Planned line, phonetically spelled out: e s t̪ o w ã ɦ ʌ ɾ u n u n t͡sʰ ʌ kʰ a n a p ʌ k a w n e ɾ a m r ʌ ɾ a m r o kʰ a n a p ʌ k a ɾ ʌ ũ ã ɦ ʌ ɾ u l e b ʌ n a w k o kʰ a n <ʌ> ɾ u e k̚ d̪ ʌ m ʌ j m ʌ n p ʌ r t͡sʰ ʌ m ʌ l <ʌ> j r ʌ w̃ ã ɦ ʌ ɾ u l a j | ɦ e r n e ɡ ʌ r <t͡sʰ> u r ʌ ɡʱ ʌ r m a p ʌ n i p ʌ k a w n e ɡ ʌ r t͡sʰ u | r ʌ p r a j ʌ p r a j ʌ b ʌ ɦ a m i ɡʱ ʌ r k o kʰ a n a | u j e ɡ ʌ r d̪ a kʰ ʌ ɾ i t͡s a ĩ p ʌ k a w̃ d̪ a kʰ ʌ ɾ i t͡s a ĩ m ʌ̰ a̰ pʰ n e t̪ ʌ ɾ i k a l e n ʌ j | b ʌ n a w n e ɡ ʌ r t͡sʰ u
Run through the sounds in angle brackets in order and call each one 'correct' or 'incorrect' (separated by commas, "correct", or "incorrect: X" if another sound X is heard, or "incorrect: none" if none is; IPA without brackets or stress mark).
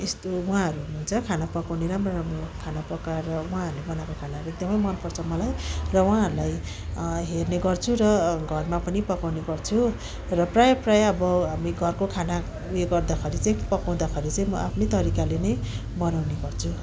incorrect: a, incorrect: a, correct